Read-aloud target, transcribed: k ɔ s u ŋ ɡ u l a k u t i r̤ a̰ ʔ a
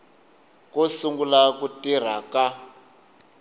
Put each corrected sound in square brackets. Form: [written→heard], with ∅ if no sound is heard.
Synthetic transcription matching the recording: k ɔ s u ŋ ɡ u l a k u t i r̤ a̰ [ʔ→k] a